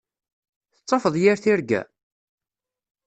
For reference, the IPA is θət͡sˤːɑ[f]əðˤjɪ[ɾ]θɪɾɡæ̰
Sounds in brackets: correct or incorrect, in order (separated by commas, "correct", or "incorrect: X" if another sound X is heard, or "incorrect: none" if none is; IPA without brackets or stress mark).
correct, correct